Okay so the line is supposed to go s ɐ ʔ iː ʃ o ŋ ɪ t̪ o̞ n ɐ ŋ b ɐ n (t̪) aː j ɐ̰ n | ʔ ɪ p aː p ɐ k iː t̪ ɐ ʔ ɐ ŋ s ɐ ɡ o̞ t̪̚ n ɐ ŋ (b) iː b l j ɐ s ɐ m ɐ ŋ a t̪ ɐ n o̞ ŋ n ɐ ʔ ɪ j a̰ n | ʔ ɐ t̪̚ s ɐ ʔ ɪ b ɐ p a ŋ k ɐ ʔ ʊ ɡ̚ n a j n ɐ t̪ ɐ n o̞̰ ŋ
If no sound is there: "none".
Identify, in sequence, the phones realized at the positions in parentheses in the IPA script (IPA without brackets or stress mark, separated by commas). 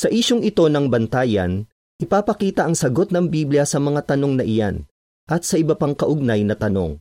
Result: t̪, b